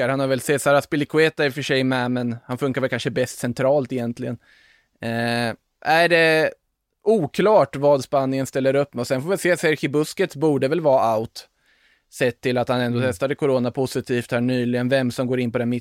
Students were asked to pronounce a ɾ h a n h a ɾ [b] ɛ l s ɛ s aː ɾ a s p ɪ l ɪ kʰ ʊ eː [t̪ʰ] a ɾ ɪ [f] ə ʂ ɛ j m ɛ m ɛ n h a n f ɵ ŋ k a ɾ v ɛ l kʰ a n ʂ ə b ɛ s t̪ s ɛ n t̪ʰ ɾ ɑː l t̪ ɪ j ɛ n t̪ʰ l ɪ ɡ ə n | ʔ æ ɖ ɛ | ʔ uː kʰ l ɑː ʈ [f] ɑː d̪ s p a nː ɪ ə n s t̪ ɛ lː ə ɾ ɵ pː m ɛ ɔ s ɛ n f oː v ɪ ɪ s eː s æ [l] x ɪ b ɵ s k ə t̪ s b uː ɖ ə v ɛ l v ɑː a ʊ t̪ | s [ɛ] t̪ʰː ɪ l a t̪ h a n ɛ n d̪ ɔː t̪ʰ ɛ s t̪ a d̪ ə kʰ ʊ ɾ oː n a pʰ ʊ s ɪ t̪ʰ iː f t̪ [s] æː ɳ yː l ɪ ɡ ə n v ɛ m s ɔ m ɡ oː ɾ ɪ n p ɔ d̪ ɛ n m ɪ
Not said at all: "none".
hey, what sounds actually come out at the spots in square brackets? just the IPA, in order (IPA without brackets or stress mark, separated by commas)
v, t̪, f, v, ɾ, ɛ, h